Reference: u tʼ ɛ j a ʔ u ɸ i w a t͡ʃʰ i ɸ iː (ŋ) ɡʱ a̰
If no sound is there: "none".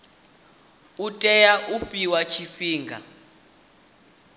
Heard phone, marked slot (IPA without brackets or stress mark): ŋ